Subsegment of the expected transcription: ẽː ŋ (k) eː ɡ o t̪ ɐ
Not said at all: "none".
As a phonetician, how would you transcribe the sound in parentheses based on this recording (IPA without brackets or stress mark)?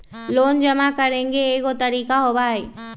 ɡ